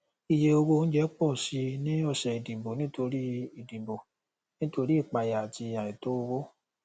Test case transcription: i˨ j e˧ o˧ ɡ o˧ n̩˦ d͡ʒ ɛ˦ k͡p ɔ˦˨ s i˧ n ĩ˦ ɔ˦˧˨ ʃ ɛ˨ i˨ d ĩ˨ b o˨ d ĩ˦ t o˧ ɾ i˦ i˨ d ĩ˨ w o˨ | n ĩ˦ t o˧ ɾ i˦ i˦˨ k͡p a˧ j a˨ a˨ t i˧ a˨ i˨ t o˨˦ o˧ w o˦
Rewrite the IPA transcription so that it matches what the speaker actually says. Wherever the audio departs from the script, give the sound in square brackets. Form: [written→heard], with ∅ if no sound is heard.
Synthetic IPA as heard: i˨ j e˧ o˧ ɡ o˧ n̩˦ d͡ʒ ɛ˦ k͡p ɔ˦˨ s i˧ n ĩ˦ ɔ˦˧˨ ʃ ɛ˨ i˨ d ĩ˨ b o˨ [d→n] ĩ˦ t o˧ ɾ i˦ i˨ d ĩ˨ [w→b] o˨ | n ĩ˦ t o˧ ɾ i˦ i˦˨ k͡p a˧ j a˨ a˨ t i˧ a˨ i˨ t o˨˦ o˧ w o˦